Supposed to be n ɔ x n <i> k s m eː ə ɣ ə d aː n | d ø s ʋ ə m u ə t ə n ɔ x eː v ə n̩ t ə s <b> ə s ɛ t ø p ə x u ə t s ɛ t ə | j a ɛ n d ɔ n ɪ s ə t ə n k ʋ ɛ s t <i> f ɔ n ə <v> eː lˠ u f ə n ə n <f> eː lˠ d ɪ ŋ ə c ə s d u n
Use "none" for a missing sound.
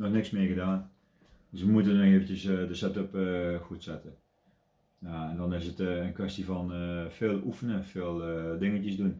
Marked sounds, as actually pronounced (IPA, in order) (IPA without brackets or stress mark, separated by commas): ɪ, d, i, f, f